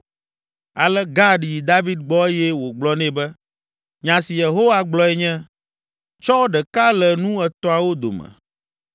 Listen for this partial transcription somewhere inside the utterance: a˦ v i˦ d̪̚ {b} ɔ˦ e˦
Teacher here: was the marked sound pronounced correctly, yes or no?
no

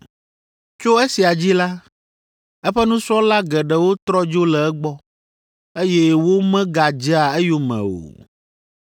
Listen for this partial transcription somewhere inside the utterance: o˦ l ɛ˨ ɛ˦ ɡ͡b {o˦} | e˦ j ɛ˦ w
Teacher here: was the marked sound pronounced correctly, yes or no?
no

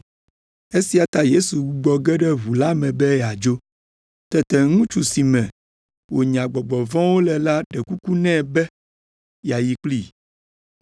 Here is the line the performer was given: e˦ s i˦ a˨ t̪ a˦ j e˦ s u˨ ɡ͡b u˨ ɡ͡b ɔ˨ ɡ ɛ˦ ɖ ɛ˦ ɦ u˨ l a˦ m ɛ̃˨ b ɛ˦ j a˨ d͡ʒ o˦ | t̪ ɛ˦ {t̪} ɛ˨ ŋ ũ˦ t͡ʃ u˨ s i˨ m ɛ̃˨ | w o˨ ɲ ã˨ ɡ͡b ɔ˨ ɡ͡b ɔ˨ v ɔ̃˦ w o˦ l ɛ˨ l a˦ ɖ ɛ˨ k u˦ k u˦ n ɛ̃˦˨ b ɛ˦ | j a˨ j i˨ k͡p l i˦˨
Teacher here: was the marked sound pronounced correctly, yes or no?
yes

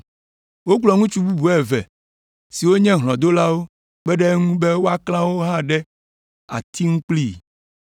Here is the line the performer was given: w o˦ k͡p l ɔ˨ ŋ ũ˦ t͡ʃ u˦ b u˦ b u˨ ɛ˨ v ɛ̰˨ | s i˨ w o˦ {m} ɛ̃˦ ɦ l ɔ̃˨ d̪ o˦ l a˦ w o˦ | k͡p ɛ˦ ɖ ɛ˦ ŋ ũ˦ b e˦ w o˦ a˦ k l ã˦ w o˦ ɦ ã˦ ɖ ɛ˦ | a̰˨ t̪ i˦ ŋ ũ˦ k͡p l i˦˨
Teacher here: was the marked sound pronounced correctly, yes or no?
no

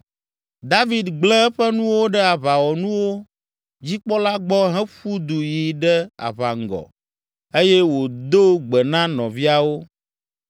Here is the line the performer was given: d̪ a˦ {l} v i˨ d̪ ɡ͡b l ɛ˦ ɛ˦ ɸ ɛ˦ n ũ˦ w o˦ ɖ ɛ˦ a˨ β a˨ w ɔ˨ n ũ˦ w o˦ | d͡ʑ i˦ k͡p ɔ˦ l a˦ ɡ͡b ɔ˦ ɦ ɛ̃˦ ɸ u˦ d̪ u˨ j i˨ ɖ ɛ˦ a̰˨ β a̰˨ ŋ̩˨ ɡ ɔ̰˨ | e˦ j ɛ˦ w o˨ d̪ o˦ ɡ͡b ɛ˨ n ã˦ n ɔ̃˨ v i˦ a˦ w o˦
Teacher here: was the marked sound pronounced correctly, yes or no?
no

